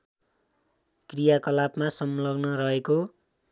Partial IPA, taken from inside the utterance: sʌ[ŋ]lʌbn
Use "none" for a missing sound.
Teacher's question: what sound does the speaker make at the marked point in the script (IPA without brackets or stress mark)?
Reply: m